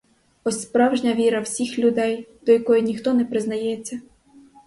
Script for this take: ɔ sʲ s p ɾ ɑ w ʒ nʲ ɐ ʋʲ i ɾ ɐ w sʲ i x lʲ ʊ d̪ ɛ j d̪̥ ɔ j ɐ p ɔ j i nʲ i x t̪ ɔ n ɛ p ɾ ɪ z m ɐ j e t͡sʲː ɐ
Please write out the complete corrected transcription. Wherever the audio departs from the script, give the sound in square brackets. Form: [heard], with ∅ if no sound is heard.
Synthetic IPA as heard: ɔ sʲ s p ɾ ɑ w ʒ nʲ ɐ ʋʲ i ɾ ɐ w sʲ i x lʲ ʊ d̪ ɛ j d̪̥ ɔ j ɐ [k] ɔ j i nʲ i x t̪ ɔ n ɛ p ɾ ɪ z [n] ɐ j [ɛ] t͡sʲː ɐ